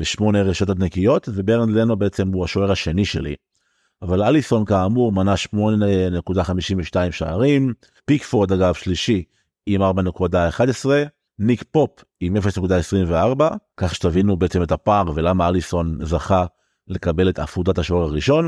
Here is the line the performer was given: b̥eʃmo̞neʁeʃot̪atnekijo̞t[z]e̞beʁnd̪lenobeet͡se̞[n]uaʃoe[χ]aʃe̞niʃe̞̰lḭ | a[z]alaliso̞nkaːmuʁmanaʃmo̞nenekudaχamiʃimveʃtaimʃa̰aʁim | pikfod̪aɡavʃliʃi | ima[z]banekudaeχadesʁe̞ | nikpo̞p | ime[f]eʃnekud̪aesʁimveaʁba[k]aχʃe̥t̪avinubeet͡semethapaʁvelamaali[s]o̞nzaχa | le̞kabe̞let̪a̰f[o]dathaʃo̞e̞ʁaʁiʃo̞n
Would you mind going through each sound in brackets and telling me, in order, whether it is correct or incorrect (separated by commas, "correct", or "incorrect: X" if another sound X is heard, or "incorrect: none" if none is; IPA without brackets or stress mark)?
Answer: incorrect: v, incorrect: m, incorrect: ʁ, incorrect: v, incorrect: ʁ, correct, correct, correct, incorrect: u